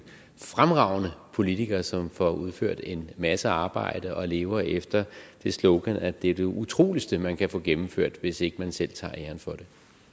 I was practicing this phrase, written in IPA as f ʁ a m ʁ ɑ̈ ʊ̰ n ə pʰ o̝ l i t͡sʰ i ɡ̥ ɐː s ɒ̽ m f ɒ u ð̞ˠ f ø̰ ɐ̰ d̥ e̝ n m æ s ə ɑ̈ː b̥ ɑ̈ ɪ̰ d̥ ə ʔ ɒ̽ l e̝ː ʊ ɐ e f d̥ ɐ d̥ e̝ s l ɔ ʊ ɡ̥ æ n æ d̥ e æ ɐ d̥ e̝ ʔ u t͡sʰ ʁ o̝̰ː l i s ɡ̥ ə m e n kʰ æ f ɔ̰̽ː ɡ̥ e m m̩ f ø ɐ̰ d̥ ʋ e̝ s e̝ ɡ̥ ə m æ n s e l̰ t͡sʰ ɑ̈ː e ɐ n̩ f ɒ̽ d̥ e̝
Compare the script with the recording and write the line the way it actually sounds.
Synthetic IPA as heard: f ʁ a m ʁ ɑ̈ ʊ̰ n ə pʰ o̝ l i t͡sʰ i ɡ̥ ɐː s ɒ̽ m f ɒ u ð̞ˠ f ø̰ ɐ̰ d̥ e̝ n m æ s ə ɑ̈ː b̥ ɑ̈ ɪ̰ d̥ ə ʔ ɒ̽ l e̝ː ʊ ɐ e f d̥ ɐ d̥ e̝ s l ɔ ʊ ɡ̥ æ n æ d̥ e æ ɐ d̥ e̝ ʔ u t͡sʰ ʁ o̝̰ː l i s d̥ ə m æ n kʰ æ f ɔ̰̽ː ɡ̥ e m m̩ f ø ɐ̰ d̥ ʋ e̝ s e̝ ɡ̥ ə m æ n s e l̰ t͡sʰ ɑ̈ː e ɐ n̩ f ɒ̽ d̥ e̝

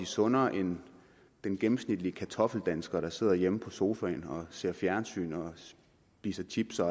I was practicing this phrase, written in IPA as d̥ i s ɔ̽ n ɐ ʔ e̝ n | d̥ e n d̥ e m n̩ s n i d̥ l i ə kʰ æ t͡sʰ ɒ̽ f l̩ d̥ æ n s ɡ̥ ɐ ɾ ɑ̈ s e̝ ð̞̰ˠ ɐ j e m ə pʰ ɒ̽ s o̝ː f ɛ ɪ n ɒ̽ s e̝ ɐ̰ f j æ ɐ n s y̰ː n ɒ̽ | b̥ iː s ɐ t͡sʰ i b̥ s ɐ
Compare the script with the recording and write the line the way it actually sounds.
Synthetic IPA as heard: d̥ i s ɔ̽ n ɐ ʔ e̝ n | d̥ e n ɡ̥ e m m̩ s n i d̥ l i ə kʰ æ t͡sʰ ɒ̽ f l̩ d̥ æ n s ɡ̥ ɐ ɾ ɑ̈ s e̝ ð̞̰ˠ ɐ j e m ə pʰ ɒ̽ s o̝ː f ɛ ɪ n ɒ̽ s e̝ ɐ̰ f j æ ɐ n s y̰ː n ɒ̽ | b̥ iː s ɐ t͡sʰ i b̥ s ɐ

